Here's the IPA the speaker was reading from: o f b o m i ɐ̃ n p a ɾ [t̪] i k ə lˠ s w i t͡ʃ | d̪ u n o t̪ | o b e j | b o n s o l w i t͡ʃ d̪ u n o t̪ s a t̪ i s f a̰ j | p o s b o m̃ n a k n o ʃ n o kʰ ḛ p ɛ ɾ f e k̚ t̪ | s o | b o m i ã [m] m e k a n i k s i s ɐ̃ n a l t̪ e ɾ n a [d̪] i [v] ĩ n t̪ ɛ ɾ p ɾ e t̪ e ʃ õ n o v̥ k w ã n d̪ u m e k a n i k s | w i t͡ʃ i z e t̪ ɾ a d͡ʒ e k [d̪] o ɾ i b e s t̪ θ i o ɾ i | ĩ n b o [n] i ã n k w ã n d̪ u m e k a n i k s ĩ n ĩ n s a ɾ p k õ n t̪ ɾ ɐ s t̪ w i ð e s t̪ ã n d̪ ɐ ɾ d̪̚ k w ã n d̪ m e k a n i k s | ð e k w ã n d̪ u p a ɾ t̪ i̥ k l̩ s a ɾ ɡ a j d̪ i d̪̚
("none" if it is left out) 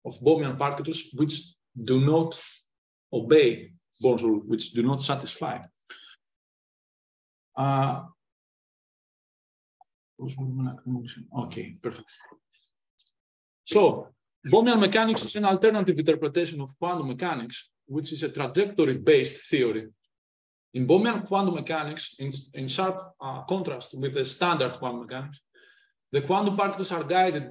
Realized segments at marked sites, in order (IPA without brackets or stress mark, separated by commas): t̪, n, t̪, v, t̪, m